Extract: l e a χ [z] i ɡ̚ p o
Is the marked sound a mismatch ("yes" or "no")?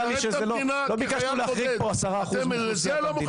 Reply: yes